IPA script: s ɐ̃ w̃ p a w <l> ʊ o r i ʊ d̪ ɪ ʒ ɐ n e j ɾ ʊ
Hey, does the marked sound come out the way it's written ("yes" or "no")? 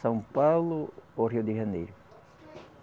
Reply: yes